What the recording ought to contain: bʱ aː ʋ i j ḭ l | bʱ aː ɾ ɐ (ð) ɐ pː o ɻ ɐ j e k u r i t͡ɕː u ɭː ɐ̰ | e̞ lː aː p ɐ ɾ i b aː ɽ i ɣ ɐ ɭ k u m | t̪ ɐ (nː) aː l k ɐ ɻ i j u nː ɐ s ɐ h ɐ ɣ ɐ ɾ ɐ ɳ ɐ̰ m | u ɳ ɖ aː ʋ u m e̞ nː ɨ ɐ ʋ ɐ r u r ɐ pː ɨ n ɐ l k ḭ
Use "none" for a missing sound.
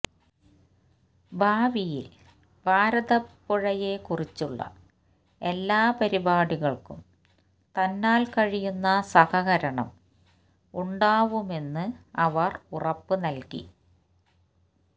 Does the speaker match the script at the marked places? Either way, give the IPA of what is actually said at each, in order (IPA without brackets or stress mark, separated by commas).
ð, nː